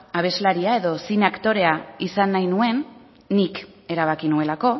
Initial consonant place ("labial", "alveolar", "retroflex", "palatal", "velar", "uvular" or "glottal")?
labial